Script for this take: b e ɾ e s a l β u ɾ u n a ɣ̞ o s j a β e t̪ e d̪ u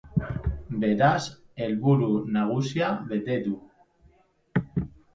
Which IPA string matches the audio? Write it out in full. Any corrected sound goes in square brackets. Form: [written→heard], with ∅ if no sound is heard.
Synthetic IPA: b e ɾ [e→a] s [a→e] l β u ɾ u n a ɣ̞ [o→u] s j a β e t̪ e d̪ u